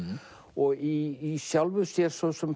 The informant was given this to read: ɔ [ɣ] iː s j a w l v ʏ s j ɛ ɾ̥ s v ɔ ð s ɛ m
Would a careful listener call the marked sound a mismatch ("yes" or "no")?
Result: no